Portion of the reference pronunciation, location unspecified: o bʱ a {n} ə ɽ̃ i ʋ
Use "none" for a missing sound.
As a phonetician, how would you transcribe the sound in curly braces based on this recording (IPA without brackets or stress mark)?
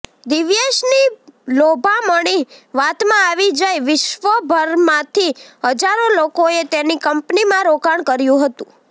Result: m